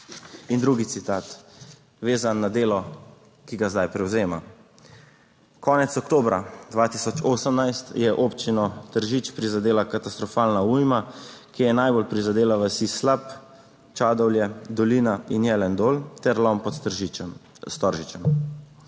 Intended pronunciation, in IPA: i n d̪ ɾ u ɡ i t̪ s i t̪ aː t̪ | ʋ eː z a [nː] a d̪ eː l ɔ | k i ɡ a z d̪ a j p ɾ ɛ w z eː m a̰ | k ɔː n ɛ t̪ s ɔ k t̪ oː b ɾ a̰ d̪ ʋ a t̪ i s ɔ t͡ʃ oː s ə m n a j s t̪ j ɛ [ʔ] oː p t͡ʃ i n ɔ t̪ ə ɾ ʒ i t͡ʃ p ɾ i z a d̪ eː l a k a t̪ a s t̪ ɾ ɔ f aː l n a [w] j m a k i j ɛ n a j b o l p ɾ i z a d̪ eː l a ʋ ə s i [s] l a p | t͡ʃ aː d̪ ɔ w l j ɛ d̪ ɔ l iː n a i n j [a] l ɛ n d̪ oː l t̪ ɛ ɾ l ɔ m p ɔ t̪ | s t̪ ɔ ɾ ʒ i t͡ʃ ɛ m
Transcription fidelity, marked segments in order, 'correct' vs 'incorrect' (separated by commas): correct, correct, incorrect, correct, incorrect